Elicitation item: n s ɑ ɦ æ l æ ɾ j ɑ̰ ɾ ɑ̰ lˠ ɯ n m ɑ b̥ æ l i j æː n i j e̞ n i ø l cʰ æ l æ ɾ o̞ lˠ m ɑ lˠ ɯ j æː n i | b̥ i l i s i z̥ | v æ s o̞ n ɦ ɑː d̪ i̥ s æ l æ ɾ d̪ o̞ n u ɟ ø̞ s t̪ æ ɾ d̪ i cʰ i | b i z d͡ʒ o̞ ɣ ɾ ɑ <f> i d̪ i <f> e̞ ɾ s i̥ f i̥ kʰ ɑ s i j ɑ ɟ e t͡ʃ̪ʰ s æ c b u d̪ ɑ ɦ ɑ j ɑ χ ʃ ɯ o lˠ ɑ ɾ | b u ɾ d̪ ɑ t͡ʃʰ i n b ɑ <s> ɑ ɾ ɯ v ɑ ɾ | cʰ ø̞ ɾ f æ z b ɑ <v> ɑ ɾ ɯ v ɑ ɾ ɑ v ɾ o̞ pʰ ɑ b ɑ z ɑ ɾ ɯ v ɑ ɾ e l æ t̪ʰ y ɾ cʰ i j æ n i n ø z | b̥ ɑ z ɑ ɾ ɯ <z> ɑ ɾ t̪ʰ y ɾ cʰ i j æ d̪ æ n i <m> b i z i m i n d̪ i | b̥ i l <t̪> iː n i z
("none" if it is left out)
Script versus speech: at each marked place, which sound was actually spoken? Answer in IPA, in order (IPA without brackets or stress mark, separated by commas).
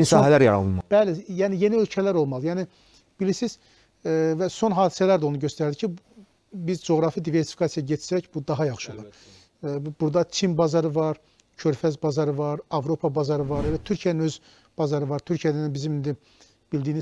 f, v, z, z, v, n, d̪